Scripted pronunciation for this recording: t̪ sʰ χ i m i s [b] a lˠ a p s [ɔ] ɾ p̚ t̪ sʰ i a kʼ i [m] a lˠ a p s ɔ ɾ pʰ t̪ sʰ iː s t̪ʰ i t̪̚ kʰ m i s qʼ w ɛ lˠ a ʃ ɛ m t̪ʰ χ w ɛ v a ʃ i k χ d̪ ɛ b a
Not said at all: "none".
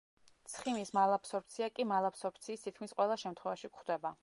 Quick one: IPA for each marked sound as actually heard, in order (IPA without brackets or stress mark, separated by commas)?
m, ɔ, m